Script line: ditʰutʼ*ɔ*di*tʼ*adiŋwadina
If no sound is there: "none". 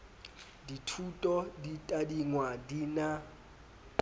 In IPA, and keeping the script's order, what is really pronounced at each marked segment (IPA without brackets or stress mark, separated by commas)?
ɔ, tʼ